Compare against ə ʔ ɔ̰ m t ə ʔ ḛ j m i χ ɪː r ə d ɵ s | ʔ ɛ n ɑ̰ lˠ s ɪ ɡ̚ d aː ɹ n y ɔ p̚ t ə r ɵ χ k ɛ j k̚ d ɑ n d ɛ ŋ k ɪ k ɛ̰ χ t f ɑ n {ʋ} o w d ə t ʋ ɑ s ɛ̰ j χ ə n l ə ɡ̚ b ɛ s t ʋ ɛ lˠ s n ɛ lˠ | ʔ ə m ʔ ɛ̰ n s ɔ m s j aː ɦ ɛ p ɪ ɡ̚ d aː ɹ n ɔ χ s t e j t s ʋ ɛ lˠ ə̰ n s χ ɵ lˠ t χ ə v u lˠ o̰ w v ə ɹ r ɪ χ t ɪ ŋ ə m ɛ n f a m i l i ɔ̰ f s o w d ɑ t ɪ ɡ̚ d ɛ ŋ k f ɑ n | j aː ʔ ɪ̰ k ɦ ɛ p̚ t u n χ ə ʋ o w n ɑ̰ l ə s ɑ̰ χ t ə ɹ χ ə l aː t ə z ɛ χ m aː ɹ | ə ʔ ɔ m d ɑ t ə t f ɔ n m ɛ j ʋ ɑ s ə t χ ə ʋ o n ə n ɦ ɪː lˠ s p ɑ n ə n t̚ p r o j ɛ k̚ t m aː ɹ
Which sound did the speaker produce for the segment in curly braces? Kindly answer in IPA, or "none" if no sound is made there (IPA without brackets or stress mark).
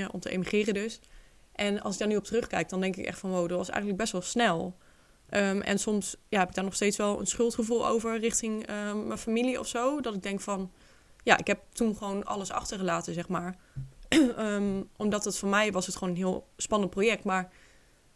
ʋ